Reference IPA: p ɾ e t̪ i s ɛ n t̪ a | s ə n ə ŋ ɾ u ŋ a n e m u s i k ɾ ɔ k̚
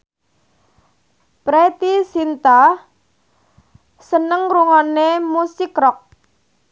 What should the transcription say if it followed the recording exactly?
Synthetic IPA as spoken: p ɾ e t̪ i s i n t̪ a | s ə n ə ŋ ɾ u ŋ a n e m u s i k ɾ ɔ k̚